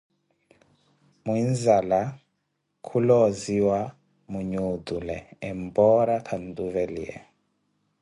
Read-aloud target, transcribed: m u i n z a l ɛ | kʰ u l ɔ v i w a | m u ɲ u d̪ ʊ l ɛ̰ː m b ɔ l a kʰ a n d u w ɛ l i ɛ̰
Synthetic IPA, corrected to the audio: m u i n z a l a | kʰ u l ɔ z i w a | m u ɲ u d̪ u l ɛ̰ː m b ɔ ɾ a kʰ a n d u v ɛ l i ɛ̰